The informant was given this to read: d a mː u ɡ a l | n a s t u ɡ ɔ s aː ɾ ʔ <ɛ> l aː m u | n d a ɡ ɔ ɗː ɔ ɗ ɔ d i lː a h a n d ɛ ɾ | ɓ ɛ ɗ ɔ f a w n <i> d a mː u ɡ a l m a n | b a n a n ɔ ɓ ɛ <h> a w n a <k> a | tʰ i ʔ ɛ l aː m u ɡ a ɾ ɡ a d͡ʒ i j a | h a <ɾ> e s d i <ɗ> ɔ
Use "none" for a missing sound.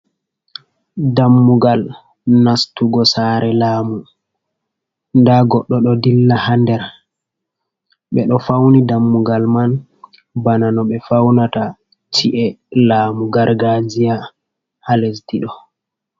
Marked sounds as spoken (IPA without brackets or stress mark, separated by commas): ɛ, i, f, t, l, ɗ